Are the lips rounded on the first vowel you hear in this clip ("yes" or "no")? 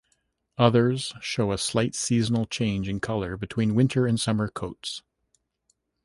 no